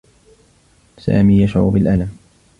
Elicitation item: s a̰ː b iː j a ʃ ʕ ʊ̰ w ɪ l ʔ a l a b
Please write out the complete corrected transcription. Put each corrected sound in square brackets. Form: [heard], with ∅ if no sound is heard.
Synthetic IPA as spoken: s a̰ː [m] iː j a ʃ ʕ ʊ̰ [b] ɪ l ʔ a l a [m]